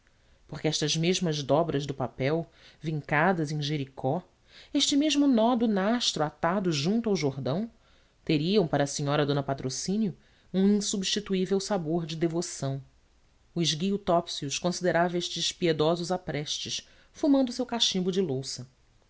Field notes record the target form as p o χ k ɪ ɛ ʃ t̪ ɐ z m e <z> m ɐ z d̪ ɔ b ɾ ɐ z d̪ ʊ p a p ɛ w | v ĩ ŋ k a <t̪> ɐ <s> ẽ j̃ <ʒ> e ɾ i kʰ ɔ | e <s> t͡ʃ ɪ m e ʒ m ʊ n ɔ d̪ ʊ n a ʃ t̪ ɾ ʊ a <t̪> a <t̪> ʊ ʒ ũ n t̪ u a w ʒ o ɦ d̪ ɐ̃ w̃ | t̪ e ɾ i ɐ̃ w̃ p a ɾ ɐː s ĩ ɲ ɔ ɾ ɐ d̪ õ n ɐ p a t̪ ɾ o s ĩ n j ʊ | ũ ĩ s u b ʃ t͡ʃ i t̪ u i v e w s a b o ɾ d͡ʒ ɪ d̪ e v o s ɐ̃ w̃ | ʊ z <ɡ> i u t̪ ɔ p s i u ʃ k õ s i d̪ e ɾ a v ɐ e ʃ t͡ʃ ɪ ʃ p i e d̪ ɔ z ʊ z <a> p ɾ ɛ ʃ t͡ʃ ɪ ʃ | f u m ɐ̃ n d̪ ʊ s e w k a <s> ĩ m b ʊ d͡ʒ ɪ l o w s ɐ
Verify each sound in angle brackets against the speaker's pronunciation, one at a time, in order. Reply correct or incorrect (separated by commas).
incorrect, incorrect, incorrect, correct, incorrect, correct, incorrect, correct, correct, incorrect